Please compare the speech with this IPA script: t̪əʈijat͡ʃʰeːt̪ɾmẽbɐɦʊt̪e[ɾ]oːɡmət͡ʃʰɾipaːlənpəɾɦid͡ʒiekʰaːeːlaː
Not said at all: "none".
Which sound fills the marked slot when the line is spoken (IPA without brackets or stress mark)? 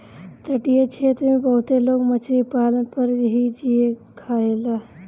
l